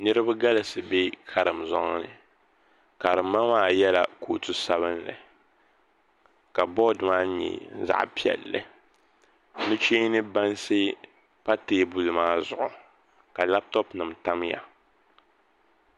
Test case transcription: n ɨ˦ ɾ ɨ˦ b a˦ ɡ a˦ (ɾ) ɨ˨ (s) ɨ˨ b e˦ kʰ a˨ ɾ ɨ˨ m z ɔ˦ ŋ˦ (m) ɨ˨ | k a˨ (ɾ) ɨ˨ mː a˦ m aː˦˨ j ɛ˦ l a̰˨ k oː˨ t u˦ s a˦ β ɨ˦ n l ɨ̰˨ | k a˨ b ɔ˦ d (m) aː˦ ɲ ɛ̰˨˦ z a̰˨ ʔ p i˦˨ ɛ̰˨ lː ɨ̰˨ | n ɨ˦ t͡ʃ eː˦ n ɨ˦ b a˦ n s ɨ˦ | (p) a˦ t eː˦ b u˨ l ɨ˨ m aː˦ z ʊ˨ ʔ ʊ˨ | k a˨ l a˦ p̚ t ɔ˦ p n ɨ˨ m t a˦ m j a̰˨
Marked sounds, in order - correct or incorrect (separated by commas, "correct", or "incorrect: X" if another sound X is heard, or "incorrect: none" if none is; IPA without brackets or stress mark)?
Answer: incorrect: l, correct, incorrect: n, correct, correct, correct